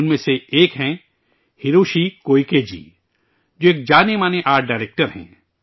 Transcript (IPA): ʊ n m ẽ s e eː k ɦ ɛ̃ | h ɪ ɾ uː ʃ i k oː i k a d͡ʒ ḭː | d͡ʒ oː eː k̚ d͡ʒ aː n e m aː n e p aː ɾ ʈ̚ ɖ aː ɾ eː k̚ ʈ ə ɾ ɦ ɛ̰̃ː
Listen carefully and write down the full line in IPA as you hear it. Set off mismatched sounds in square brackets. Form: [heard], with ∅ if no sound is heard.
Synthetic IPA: ʊ n m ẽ s e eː k ɦ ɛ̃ | h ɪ ɾ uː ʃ i k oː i k [e] d͡ʒ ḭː | d͡ʒ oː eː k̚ d͡ʒ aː n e m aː n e [ʔ] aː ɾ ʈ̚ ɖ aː ɾ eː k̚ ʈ ə ɾ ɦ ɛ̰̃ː